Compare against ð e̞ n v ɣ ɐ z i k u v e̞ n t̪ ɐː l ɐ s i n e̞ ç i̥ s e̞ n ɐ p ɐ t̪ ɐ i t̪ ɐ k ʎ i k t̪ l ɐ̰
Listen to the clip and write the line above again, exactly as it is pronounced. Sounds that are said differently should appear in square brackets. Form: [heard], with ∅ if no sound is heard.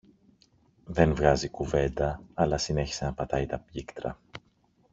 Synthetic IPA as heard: ð e̞ n v ɣ ɐ z i k u v e̞ n [d̪] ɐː l ɐ s i n e̞ ç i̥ s e̞ n ɐ p ɐ t̪ ɐ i t̪ ɐ [p] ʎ i k t̪ [ɾ] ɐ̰